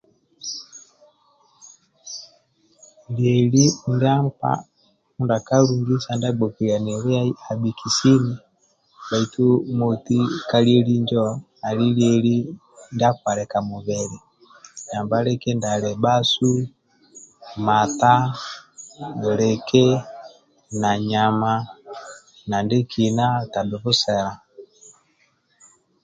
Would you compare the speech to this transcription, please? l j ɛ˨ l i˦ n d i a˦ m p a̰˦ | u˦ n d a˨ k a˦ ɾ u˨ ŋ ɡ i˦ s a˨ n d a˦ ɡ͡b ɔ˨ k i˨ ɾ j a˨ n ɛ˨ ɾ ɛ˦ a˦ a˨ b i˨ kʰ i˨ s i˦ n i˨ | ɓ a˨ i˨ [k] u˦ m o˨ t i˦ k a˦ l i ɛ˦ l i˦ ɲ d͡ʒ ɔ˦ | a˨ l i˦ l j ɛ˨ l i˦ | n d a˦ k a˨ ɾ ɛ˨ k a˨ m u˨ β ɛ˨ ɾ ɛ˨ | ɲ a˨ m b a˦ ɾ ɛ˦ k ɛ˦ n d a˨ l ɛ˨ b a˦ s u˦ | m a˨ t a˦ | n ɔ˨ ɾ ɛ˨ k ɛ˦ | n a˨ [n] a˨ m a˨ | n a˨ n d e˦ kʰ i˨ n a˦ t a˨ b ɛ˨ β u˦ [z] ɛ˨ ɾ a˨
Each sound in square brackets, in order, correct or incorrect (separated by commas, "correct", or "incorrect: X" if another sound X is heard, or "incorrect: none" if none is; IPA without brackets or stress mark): incorrect: t, incorrect: ɲ, incorrect: s